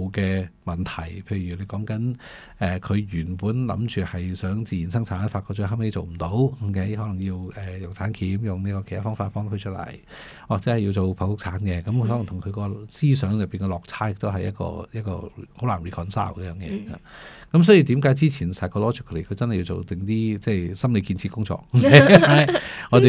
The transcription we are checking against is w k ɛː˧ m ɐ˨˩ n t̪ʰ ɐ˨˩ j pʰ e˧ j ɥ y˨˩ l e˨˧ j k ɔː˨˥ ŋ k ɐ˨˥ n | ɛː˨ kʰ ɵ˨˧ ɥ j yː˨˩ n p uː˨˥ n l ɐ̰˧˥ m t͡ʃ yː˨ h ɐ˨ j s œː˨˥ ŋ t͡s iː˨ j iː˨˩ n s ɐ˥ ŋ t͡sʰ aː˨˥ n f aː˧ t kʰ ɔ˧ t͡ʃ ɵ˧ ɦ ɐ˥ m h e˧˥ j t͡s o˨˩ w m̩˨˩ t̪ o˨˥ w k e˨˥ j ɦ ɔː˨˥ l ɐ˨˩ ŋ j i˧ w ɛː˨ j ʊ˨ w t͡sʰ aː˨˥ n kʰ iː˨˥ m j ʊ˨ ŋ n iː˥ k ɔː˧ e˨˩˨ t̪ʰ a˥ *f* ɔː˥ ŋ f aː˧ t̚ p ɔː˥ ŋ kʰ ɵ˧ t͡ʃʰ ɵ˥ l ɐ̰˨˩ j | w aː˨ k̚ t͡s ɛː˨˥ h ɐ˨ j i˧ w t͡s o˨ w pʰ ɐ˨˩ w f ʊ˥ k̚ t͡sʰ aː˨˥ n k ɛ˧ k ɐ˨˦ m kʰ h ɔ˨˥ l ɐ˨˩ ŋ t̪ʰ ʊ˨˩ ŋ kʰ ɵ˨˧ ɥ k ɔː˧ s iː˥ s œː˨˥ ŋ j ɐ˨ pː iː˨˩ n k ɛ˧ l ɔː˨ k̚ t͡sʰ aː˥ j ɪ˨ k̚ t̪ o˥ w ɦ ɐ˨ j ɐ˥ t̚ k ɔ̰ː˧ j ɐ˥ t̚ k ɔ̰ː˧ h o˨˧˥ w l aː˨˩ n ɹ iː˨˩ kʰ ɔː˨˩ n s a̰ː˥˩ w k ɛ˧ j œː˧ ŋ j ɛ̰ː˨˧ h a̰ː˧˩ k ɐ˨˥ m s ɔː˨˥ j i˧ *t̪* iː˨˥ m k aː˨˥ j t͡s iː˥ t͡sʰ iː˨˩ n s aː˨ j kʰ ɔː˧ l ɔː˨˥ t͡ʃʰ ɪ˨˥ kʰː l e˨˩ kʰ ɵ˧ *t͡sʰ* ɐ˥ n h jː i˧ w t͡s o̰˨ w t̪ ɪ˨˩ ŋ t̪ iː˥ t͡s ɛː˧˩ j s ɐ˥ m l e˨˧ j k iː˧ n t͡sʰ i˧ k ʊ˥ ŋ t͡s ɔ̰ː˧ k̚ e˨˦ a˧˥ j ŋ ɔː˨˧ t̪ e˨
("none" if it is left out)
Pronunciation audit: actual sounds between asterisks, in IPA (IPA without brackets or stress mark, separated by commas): f, t̪, t͡s